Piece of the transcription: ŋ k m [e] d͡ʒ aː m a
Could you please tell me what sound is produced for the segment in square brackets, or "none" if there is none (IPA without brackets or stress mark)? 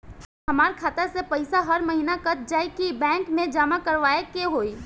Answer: ẽ